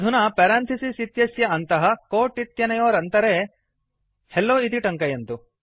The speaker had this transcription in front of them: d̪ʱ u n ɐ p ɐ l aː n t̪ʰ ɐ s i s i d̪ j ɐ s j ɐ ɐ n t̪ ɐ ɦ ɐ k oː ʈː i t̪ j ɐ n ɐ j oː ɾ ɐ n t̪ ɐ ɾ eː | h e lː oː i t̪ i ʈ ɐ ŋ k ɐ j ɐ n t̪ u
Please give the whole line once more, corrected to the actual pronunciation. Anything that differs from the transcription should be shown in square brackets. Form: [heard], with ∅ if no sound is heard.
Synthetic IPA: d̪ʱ u n ɐ p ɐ [ɾ] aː n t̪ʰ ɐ s i s i [t̪] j ɐ s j ɐ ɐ n t̪ ɐ ɦ ɐ k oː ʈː i t̪ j ɐ n ɐ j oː ɾ ɐ n t̪ ɐ ɾ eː | h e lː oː i t̪ i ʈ ɐ ŋ k ɐ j ɐ n t̪ u

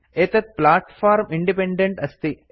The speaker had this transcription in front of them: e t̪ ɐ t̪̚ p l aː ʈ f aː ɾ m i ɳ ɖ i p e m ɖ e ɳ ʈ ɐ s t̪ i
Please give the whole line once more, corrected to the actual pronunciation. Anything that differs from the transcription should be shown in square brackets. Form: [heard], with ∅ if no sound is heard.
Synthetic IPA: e t̪ ɐ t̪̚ p l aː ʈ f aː ɾ m i ɳ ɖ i p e [ɳ] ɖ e ɳ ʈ ɐ s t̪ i

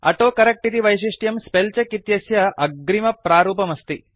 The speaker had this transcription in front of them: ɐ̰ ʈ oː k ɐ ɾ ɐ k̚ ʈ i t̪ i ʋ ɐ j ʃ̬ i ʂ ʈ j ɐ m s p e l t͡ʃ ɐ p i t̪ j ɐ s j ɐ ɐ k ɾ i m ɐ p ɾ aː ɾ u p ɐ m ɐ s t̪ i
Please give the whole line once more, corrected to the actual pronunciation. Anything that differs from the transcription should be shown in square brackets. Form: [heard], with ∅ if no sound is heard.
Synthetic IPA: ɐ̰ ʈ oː k ɐ ɾ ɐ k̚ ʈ i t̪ i ʋ ɐ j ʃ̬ i ʂ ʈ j ɐ m s p e l t͡ʃ ɐ [k] i t̪ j ɐ s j ɐ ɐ [ɡ] ɾ i m ɐ p ɾ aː ɾ [uː] p ɐ m ɐ s t̪ i

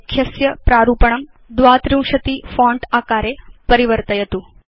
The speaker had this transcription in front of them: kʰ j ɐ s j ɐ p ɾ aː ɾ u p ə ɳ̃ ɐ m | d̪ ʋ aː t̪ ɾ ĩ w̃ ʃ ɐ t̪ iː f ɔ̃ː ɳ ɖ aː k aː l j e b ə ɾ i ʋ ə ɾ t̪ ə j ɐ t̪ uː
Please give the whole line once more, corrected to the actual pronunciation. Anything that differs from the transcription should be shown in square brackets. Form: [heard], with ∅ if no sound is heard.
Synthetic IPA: kʰ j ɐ s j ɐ p ɾ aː ɾ u p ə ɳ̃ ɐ m | d̪ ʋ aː t̪ ɾ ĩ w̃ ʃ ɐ t̪ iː f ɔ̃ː ɳ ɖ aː k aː [ɾ] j e [p] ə ɾ i ʋ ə ɾ t̪ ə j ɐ t̪ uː

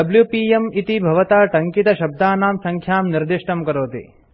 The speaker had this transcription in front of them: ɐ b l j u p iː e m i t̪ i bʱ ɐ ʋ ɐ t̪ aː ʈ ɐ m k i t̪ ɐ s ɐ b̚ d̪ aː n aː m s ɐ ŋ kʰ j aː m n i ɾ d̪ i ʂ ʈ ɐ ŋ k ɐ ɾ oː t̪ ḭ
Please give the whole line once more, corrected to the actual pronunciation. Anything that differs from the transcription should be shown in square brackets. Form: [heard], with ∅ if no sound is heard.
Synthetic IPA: ɐ b l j u p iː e m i t̪ i bʱ ɐ ʋ ɐ t̪ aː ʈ ɐ [ŋ] k i t̪ ɐ [ʃ] ɐ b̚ d̪ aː n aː m s ɐ ŋ kʰ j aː m n i ɾ d̪ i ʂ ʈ ɐ [m] k ɐ ɾ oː t̪ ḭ

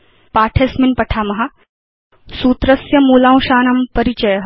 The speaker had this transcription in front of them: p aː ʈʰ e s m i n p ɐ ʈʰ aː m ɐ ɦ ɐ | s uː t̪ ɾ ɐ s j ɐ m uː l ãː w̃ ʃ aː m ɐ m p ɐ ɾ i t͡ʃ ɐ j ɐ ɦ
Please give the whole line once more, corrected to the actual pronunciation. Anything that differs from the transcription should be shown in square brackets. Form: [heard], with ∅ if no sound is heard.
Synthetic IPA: p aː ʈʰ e s m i n p ɐ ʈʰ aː m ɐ ɦ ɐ | s uː t̪ ɾ ɐ s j ɐ m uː l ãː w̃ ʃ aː [n] ɐ m p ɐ ɾ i t͡ʃ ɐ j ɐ ɦ

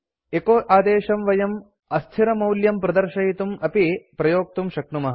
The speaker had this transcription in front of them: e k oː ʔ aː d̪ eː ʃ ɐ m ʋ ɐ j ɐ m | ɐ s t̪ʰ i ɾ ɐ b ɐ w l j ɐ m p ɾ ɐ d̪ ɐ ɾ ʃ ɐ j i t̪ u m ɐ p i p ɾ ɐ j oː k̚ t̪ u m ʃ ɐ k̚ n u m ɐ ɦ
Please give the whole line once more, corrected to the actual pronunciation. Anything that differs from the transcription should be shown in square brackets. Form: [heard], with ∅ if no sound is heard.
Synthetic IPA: e k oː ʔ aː d̪ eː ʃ ɐ m ʋ ɐ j ɐ m | ɐ s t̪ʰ i ɾ ɐ [m] ɐ w l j ɐ m p ɾ ɐ d̪ ɐ ɾ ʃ ɐ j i t̪ u m ɐ p i p ɾ ɐ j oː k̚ t̪ u m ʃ ɐ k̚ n u m ɐ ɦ

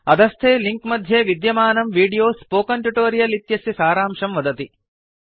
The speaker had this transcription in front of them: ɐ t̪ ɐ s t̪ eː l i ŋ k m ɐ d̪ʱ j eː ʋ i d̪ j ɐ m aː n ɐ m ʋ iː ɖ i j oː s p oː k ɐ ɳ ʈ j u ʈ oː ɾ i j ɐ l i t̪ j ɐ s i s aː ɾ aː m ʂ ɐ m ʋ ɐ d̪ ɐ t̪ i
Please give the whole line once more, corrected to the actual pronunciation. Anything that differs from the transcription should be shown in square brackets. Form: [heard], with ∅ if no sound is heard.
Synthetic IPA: ɐ [d̪] ɐ s [t̪ʰ] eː l i ŋ k m ɐ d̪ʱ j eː ʋ i d̪ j ɐ m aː n ɐ m ʋ iː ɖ i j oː s p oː k ɐ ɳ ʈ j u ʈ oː ɾ i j ɐ l i t̪ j ɐ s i s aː ɾ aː m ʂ ɐ m ʋ ɐ d̪ ɐ t̪ i

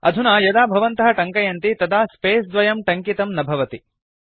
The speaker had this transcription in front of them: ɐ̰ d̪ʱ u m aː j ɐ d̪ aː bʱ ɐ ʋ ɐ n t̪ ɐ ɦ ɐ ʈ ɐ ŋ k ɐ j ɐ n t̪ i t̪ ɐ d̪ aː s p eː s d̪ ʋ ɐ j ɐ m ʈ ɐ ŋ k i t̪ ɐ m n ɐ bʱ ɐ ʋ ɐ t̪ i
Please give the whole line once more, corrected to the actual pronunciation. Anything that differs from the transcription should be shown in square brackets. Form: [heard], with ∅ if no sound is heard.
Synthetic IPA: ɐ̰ d̪ʱ u [n] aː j ɐ d̪ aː bʱ ɐ ʋ ɐ n t̪ ɐ ɦ ɐ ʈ ɐ ŋ k ɐ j ɐ n t̪ i t̪ ɐ d̪ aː s p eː s d̪ ʋ ɐ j ɐ m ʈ ɐ ŋ k i t̪ ɐ m n ɐ bʱ ɐ ʋ ɐ t̪ i

